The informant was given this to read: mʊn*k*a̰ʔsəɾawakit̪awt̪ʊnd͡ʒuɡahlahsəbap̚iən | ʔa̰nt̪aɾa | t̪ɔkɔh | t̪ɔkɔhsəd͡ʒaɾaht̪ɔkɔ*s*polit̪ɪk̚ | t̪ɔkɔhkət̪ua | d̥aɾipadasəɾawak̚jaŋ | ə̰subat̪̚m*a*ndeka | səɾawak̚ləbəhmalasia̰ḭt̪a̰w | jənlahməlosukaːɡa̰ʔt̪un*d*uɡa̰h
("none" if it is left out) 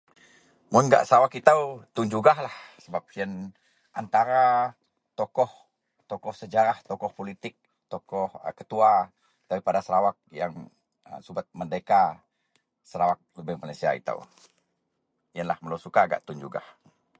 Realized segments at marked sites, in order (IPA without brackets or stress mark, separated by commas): ɡ, h, ə, d͡ʒ